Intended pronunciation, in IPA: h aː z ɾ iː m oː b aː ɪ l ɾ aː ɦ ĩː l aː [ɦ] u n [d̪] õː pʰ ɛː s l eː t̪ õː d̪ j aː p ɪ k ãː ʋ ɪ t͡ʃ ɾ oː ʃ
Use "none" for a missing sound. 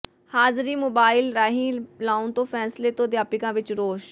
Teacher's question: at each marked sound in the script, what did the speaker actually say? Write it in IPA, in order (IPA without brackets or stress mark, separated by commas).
none, t̪